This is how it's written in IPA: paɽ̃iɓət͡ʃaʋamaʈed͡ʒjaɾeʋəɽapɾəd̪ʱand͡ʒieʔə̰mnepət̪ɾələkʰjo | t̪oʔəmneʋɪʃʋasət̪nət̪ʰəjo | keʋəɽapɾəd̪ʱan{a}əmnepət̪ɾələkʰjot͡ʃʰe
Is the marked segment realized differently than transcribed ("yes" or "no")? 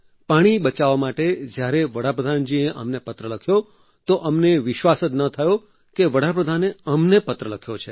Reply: yes